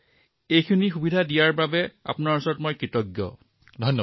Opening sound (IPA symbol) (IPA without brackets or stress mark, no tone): e